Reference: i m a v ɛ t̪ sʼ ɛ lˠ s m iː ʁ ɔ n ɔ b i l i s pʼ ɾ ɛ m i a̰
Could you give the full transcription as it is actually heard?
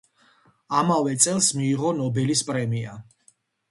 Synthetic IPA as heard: a m a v ɛ t̪ sʼ ɛ lˠ s m iː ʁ ɔ n ɔ b ɛ l i s pʼ ɾ ɛ m i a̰